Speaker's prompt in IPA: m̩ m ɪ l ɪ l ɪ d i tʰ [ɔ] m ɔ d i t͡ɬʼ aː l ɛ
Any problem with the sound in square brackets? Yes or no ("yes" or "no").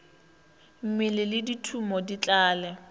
yes